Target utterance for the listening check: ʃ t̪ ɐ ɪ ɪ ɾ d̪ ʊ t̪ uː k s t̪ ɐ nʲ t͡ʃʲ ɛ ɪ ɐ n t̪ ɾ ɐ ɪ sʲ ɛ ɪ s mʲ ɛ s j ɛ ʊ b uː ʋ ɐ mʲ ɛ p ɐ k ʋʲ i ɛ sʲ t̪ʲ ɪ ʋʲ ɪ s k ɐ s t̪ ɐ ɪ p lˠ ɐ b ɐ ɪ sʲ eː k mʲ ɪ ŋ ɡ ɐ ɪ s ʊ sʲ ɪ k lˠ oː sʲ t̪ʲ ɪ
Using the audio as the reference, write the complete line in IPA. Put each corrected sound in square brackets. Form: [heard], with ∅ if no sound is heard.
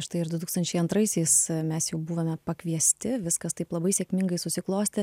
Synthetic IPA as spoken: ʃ t̪ ɐ ɪ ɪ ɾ d̪ ʊ t̪ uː k s t̪ ɐ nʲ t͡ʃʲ ɛ ɪ ɐ n t̪ ɾ ɐ ɪ sʲ ɛ ɪ s mʲ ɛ s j ɛ ʊ b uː ʋ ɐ mʲ ɛ p ɐ k ʋʲ i ɛ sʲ t̪ʲ ɪ ʋʲ ɪ s k ɐ s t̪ ɐ ɪ p lˠ ɐ b ɐ ɪ sʲ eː k mʲ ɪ ŋ ɡ ɐ ɪ s ʊ sʲ ɪ k lˠ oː sʲ t̪ʲ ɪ